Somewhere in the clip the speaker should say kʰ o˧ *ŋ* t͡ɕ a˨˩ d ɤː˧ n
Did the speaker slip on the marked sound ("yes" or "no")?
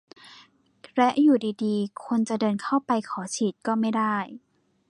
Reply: yes